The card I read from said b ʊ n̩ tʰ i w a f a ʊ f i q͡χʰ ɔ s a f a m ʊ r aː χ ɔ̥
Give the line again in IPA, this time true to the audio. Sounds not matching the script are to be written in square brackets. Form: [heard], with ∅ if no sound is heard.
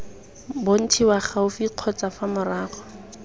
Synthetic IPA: b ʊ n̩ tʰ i w a [χ] a ʊ f i q͡χʰ ɔ [t͡s] a f a m ʊ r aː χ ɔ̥